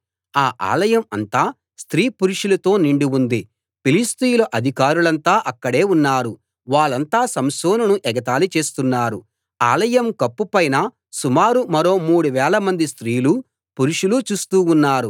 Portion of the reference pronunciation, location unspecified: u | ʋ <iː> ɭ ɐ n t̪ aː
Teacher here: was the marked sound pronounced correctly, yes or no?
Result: no